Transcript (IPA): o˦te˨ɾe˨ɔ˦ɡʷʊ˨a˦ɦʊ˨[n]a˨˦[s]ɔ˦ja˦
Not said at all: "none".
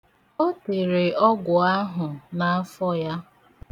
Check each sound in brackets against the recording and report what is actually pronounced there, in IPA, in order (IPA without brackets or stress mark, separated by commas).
n, f